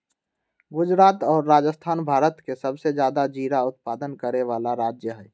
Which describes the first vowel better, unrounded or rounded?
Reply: rounded